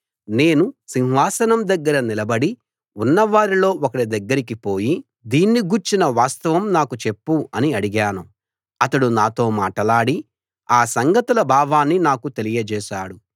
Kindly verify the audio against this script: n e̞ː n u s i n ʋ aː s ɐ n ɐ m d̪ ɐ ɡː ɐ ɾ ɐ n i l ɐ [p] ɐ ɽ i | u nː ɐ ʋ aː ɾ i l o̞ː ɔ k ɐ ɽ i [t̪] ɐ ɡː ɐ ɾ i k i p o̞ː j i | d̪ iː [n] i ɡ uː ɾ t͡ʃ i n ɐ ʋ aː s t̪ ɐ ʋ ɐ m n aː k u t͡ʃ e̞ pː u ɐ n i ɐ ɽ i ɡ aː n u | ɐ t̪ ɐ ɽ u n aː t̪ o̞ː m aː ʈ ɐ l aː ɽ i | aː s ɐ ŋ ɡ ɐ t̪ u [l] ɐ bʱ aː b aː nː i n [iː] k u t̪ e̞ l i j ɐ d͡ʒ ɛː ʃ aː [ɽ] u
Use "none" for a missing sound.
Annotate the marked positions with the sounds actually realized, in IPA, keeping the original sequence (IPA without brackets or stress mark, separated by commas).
b, d̪, nː, l, aː, ɽ